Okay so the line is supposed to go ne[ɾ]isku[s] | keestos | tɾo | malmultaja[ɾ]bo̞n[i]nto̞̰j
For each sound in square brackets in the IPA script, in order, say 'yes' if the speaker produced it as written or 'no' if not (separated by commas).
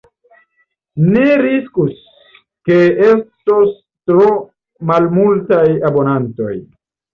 yes, yes, no, no